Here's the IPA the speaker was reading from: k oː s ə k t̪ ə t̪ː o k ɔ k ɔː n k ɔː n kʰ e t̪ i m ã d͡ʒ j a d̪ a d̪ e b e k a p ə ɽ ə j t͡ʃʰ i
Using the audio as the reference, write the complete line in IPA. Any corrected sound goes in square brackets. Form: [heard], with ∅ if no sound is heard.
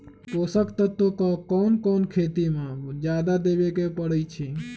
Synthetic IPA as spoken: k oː s ə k t̪ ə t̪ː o k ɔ k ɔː n k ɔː n kʰ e t̪ i m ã d͡ʒ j a d̪ a d̪ e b e k [e] p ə ɽ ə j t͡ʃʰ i